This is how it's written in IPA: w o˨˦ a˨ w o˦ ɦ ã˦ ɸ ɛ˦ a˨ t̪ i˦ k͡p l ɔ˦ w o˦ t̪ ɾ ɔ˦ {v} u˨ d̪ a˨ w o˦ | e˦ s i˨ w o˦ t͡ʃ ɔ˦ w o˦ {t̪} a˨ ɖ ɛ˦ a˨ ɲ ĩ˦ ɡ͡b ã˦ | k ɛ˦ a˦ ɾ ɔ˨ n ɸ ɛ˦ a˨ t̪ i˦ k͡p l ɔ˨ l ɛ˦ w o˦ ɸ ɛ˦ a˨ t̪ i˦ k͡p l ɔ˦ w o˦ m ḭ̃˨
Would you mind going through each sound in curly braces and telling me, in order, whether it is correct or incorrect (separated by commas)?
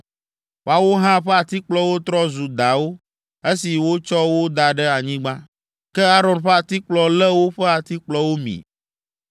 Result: incorrect, incorrect